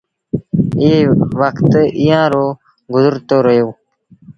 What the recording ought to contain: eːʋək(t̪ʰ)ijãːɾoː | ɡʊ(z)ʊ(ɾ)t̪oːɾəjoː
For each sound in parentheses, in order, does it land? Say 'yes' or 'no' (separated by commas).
no, yes, yes